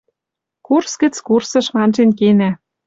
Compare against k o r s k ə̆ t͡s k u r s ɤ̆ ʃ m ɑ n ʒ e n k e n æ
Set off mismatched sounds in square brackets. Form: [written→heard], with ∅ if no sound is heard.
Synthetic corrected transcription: k [o→u] r s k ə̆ t͡s k u r s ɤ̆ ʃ m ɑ n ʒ e n k e n æ